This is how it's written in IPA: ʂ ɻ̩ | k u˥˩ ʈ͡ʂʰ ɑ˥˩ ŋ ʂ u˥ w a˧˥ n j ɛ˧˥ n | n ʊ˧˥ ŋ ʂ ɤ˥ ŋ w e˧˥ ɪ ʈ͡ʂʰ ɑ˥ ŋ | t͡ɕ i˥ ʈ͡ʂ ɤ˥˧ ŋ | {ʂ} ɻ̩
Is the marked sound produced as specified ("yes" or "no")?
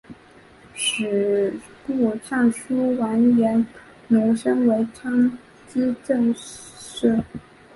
yes